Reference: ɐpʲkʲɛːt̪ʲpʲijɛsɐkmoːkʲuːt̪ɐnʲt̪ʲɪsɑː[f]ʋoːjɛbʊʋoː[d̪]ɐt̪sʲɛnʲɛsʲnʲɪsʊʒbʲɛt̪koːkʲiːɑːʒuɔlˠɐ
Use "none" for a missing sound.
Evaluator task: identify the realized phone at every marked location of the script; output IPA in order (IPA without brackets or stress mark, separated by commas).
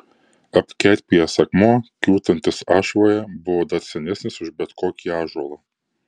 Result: ʃ, d̪